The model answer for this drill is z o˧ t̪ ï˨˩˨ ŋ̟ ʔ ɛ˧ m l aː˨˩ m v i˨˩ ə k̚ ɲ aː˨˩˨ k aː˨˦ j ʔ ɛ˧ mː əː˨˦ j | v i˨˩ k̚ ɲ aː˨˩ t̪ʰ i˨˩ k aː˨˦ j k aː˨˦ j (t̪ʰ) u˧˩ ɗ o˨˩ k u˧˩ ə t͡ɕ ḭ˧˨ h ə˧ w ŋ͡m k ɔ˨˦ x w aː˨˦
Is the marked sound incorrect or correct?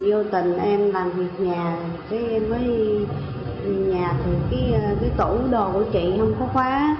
incorrect